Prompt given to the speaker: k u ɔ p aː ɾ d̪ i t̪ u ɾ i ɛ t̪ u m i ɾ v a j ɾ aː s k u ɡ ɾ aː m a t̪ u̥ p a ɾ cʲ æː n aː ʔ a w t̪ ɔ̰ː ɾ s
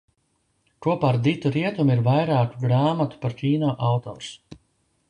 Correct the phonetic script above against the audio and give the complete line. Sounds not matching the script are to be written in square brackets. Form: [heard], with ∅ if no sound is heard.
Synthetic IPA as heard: k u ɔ p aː ɾ d̪ i t̪ u ɾ i ɛ t̪ u m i ɾ v a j ɾ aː [∅] k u ɡ ɾ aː m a t̪ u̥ p a ɾ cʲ [iː] n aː ʔ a w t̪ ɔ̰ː ɾ s